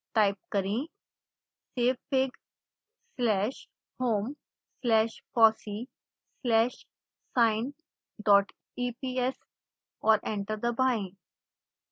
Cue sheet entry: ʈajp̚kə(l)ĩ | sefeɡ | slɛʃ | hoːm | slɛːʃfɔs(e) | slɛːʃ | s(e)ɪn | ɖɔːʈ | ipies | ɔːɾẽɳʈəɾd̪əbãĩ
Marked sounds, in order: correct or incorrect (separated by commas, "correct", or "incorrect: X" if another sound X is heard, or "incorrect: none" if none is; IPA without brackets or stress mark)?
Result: incorrect: ɾ, incorrect: i, incorrect: a